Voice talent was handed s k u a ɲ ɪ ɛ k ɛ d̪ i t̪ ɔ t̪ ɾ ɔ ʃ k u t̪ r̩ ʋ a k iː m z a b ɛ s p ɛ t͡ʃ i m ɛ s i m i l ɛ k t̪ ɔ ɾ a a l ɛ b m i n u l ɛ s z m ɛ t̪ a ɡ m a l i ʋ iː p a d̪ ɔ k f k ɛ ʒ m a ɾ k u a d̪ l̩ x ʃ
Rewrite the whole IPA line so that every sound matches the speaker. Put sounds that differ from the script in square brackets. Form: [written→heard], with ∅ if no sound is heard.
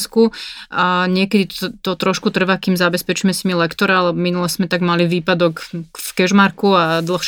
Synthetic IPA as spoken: s k u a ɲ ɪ ɛ k ɛ d̪ i t̪ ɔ t̪ ɾ ɔ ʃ k u t̪ r̩ ʋ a k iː m z a b ɛ s p ɛ t͡ʃ i m ɛ s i m i l ɛ k t̪ ɔ ɾ a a l ɛ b m i n u l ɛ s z m ɛ t̪ a ɡ m a l i ʋ iː p a d̪ ɔ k f k ɛ ʒ m a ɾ k u a d̪ l̩ x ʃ